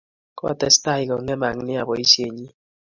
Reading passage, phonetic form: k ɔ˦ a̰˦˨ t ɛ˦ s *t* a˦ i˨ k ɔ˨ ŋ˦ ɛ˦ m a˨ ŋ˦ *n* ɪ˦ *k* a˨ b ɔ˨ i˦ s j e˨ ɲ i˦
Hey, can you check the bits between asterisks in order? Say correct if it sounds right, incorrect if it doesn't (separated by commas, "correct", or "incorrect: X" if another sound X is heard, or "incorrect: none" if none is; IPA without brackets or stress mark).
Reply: correct, correct, incorrect: none